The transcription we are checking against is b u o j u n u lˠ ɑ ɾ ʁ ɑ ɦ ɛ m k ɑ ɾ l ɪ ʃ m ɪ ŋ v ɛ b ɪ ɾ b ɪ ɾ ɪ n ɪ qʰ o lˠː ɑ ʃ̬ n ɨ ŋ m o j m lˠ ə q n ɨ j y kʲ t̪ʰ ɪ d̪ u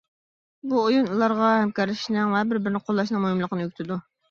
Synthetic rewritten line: b u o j u n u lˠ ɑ ɾ ʁ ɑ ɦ ɛ m k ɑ ɾ l ɪ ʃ n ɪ ŋ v ɛ b ɪ ɾ b ɪ ɾ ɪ n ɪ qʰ o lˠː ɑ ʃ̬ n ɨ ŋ m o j m lˠ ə q n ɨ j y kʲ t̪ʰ ɪ d̪ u